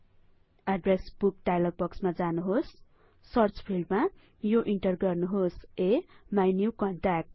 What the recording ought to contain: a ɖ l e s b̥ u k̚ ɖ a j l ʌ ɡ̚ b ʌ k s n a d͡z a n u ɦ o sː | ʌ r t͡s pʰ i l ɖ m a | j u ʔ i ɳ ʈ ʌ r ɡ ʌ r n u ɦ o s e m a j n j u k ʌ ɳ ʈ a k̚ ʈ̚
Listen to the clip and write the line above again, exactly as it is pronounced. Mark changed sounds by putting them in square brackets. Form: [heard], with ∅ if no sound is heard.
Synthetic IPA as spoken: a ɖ [r] e s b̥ u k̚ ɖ a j l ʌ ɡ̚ b ʌ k s [m] a d͡z a n u ɦ o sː | ʌ r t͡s pʰ i l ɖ m a | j [o] ʔ i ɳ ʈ ʌ r ɡ ʌ r n u ɦ o s e m a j n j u k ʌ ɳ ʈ a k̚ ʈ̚